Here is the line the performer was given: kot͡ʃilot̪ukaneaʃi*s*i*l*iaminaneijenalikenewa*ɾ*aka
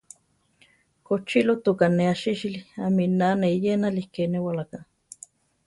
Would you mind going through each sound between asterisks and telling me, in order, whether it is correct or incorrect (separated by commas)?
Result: incorrect, correct, incorrect